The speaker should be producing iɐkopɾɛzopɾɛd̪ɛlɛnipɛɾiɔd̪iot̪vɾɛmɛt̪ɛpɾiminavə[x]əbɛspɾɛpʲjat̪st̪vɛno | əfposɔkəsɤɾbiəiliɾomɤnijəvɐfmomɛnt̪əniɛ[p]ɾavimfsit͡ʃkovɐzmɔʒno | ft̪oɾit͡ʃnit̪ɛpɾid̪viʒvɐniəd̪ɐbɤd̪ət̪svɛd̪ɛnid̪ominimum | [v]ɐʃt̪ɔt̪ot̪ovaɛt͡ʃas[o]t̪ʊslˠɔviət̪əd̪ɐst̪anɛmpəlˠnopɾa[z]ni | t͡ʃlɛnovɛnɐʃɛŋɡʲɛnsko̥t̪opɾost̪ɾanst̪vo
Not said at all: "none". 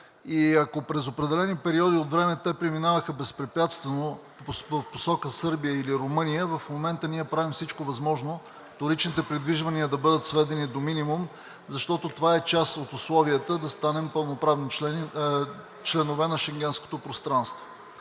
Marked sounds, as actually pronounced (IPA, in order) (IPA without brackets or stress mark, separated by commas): x, p, z, o, v